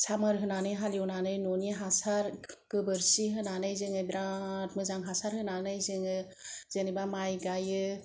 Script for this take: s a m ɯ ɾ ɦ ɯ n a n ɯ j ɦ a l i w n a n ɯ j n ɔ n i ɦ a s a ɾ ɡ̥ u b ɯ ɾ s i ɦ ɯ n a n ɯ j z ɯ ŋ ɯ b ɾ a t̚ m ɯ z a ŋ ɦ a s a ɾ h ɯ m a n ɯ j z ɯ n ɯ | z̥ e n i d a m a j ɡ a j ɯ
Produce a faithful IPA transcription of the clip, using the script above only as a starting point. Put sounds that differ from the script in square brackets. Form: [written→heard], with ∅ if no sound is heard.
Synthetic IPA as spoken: s a m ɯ ɾ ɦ ɯ n a n ɯ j ɦ a l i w n a n ɯ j n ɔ n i ɦ a s a ɾ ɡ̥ [u→ɯ] b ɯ ɾ s i ɦ ɯ n a n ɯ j z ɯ ŋ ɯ b ɾ a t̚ m ɯ z a ŋ ɦ a s a ɾ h ɯ [m→n] a n ɯ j z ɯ [n→ŋ] ɯ | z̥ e n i [d→b] a m a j ɡ a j ɯ